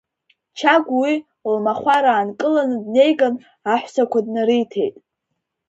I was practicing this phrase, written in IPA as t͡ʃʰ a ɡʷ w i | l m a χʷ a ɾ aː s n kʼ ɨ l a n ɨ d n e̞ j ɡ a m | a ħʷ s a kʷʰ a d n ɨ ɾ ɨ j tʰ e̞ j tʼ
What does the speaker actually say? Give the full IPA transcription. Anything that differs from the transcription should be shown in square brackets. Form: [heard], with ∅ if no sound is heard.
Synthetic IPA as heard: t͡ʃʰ a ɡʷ w i | l m a χʷ a ɾ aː [∅] n kʼ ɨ l a n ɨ d n e̞ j ɡ a [n] | a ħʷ s a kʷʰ a d n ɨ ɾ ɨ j tʰ e̞ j tʼ